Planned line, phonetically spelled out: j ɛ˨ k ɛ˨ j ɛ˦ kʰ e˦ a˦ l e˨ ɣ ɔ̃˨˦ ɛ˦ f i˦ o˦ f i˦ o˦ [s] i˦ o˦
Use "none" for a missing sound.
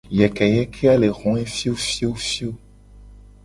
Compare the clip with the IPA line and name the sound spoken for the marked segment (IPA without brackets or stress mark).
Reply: f